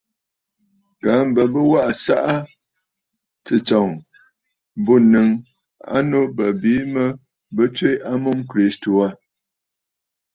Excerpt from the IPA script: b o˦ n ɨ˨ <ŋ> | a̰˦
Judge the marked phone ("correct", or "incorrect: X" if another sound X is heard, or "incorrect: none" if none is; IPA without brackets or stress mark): correct